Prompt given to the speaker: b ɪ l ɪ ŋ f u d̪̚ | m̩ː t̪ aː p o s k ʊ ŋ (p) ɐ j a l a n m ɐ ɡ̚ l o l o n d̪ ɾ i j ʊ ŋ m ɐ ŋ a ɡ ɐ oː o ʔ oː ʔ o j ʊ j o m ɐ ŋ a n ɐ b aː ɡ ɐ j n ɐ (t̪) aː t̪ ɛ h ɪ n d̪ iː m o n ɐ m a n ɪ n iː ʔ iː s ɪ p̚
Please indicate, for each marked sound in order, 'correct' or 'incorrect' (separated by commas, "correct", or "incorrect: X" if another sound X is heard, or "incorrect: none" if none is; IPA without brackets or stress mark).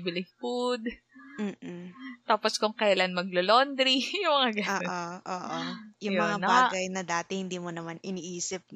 incorrect: k, incorrect: d̪